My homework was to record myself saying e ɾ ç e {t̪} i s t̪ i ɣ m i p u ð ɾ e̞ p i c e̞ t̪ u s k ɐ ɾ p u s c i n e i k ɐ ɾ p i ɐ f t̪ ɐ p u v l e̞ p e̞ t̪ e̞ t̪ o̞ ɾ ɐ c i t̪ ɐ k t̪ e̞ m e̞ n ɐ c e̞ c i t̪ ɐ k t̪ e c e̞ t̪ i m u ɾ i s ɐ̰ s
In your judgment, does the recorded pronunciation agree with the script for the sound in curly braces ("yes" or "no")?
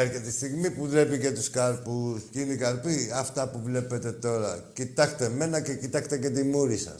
yes